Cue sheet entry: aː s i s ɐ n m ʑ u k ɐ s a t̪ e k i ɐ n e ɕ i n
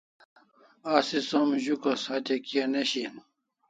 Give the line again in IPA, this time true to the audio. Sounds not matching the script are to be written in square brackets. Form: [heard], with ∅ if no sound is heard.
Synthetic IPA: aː s i s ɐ [∅] m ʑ u k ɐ s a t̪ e k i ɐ n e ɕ i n